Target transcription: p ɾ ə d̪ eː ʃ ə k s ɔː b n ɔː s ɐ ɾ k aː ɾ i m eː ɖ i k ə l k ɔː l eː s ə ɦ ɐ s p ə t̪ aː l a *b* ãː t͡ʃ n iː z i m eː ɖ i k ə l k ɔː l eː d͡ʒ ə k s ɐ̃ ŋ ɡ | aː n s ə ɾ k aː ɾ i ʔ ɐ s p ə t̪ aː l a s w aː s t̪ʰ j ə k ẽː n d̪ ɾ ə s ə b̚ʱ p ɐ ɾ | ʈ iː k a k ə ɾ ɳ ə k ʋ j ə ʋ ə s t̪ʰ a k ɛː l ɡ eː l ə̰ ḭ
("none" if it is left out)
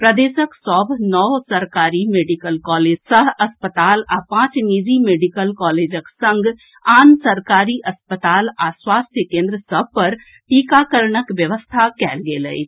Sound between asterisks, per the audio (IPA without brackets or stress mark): p